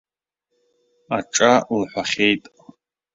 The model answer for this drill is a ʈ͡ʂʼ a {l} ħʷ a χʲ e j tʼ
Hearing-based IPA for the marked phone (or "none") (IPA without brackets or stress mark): l